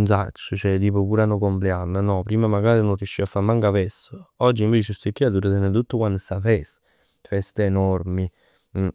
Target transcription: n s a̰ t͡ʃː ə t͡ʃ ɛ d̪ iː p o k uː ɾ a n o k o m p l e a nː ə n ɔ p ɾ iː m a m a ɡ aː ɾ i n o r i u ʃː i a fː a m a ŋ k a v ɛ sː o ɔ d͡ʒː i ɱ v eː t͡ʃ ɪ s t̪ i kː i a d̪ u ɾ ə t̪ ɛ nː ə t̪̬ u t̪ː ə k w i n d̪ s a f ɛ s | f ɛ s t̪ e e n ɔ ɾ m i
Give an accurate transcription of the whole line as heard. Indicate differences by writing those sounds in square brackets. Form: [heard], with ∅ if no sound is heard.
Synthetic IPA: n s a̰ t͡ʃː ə t͡ʃ ɛ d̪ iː p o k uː ɾ a n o k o m p l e a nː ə n ɔ p ɾ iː m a m a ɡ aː ɾ i n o r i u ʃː i a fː a m a ŋ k a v ɛ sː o ɔ d͡ʒː i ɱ v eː t͡ʃ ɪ s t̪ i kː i a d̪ u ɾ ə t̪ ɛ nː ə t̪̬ u t̪ː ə k w [a] n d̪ s a f ɛ s | f ɛ s t̪ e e n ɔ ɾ m i